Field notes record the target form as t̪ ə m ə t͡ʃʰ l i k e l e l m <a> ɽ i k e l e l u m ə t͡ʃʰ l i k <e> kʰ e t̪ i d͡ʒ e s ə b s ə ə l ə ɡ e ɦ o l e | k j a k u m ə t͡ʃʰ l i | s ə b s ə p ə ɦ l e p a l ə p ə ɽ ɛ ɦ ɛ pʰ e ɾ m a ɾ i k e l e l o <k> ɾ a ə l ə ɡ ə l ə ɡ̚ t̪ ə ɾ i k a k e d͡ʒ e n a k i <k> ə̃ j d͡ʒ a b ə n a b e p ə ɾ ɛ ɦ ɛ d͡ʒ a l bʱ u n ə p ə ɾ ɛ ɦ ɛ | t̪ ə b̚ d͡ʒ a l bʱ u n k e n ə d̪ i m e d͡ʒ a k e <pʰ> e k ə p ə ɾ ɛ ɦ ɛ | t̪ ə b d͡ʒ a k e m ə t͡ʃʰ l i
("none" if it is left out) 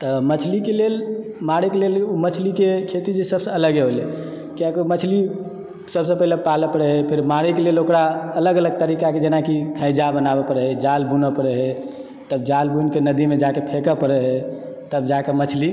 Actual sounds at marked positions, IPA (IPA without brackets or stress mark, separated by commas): a, e, k, kʰ, pʰ